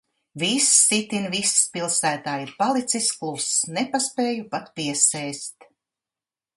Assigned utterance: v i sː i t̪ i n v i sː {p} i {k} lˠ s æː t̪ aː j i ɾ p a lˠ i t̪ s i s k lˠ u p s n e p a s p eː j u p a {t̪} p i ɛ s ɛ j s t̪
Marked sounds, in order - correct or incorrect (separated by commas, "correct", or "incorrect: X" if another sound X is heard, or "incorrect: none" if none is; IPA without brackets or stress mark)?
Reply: correct, incorrect: none, correct